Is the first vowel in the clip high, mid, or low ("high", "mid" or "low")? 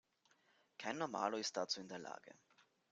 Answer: low